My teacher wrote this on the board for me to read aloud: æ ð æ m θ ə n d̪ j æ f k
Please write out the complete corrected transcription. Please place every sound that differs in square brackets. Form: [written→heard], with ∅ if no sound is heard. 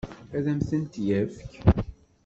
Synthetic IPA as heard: æ ð æ m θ ə n [d̪→t̪] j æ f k